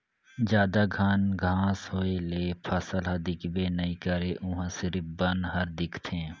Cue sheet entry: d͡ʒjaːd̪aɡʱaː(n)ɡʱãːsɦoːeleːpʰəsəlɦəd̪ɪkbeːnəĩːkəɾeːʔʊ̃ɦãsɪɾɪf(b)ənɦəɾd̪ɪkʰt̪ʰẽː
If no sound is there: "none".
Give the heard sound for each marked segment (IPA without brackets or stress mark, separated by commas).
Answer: n, b